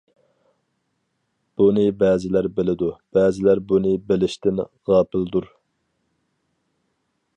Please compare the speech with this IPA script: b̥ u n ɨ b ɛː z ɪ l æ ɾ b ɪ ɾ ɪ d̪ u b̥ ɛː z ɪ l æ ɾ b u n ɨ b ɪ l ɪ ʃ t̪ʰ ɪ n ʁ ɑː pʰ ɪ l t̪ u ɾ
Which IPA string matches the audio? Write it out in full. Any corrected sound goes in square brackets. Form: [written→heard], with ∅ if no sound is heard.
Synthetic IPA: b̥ u n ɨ b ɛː z ɪ l æ ɾ b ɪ [ɾ→l] ɪ d̪ u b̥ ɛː z ɪ l æ ɾ b u n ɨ b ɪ l ɪ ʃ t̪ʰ ɪ n ʁ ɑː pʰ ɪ l [t̪→d̪] u ɾ

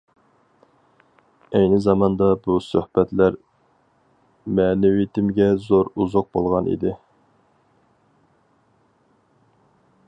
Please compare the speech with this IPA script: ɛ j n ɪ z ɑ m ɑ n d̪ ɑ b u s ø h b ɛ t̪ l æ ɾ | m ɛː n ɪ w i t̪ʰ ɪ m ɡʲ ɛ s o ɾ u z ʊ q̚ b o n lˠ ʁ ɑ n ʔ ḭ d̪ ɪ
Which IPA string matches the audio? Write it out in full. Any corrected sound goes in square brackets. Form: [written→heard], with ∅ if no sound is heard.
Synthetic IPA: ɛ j n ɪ z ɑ m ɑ n d̪ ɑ b u s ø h b ɛ t̪ l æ ɾ | m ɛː n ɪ w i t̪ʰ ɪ m ɡʲ ɛ [s→z] o ɾ u z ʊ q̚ b o [n→∅] lˠ ʁ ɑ n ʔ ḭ d̪ ɪ

